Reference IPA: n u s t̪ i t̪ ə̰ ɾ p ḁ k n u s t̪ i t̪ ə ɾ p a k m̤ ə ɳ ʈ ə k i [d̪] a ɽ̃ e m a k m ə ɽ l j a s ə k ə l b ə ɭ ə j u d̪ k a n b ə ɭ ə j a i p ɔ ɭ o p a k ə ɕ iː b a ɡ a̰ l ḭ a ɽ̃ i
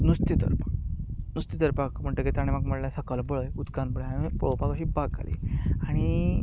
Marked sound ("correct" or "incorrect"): incorrect